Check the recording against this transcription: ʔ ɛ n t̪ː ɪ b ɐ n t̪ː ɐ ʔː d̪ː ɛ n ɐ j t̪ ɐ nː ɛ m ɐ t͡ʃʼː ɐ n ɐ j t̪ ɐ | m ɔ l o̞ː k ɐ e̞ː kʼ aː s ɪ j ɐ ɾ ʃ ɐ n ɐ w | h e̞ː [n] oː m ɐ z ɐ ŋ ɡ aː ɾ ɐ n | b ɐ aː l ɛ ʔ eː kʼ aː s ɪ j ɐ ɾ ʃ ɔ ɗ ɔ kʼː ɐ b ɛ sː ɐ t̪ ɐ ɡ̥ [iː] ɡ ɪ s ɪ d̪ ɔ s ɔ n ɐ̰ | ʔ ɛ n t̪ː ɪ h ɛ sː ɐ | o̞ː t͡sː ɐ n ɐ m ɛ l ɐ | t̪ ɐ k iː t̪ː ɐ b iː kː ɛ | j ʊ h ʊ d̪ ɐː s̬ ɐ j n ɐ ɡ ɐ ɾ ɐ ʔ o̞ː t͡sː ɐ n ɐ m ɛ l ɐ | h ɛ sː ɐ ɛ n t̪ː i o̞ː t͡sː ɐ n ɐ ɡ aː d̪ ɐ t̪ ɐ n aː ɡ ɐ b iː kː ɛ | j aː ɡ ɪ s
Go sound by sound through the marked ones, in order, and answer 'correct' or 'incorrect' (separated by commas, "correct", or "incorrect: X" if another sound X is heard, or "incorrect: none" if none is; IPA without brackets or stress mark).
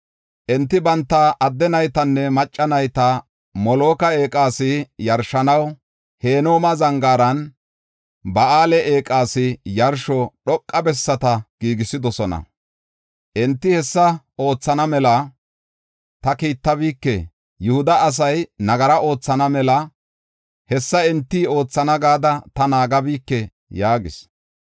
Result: correct, correct